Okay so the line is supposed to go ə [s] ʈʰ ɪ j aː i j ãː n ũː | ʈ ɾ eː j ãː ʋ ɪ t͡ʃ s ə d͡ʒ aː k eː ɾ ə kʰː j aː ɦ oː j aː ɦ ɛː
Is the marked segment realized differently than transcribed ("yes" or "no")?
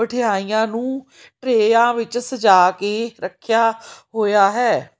yes